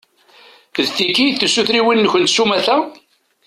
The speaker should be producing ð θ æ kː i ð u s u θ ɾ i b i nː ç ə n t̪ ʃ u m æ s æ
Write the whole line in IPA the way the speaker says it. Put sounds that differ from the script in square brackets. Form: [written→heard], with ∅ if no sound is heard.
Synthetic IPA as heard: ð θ [æ→i] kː i [ð→θ] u s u θ ɾ i [b→w] i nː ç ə n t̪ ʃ u m æ [s→θ] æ

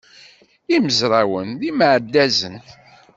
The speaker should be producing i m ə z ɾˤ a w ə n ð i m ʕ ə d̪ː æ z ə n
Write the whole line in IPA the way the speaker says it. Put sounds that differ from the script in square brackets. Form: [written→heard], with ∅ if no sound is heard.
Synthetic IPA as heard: i m ə z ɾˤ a w ə n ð i m ʕ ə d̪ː æ z ə n

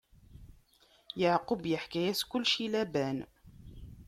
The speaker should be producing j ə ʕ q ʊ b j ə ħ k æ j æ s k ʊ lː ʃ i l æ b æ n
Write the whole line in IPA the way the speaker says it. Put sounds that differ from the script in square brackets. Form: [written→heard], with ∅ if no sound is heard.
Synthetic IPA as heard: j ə ʕ q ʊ b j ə ħ k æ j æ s k ʊ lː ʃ i l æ b æ n

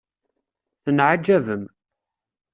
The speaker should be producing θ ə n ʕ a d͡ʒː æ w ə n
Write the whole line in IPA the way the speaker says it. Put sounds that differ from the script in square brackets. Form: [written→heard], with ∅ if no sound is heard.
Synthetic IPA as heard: θ ə n ʕ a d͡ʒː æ [w→v] ə [n→m]

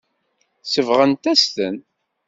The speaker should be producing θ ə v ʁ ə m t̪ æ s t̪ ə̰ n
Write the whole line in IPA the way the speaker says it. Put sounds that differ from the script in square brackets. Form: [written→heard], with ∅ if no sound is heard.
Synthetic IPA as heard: [θ→s] ə v ʁ ə [m→n] t̪ æ s t̪ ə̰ n

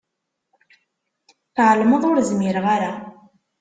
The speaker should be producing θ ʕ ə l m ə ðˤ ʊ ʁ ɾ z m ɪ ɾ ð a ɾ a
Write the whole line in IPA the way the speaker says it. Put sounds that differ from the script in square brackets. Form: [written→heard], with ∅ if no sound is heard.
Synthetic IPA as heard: θ ʕ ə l m ə ðˤ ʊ [ʁ→∅] ɾ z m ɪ ɾ [ð→ʁ] a ɾ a

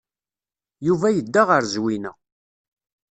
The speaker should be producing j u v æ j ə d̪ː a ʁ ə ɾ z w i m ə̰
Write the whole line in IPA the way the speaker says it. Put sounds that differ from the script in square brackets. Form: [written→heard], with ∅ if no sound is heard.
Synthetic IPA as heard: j u v æ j ə d̪ː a ʁ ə ɾ z w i [m→n] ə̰

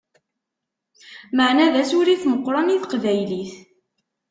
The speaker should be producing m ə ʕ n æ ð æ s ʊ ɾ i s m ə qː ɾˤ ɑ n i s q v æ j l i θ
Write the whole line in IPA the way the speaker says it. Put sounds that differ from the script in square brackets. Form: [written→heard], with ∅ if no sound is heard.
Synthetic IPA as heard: m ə ʕ n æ ð æ s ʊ ɾ i [s→θ] m ə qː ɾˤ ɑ n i [s→θ] q v æ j l i θ

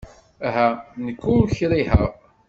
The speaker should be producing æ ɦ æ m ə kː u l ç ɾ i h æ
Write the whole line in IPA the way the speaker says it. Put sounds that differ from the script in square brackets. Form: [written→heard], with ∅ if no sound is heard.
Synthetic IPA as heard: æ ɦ æ [m→n] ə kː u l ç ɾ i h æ

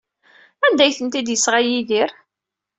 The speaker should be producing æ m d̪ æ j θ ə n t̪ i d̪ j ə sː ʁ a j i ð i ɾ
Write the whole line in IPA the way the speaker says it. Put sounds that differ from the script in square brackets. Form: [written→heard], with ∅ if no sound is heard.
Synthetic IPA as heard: æ [m→n] d̪ æ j θ ə n t̪ i d̪ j ə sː ʁ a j i ð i ɾ

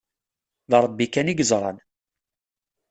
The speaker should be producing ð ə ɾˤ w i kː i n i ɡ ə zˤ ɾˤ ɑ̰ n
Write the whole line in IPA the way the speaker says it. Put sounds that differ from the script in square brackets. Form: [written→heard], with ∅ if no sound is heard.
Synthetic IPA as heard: ð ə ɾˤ [w→b] i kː [i→æ] n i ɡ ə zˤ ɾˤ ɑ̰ n

